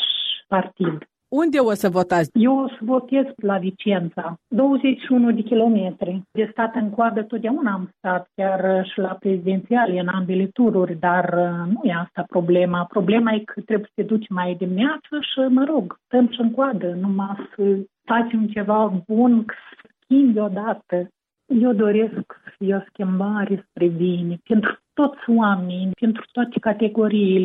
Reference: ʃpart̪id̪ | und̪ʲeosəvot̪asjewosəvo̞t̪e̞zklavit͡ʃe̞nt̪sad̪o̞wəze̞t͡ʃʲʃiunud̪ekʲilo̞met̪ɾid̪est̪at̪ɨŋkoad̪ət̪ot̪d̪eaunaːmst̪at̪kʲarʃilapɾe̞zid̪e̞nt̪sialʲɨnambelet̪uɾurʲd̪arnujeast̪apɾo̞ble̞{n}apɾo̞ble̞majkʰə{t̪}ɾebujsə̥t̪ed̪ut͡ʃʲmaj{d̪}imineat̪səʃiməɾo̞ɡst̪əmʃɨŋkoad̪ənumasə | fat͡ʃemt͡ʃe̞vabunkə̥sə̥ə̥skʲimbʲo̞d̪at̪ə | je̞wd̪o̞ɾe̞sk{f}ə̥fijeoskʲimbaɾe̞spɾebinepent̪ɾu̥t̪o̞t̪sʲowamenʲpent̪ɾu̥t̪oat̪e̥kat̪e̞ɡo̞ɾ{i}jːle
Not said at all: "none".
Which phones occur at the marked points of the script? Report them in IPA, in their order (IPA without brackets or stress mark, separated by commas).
m, t̪, d̪, s, i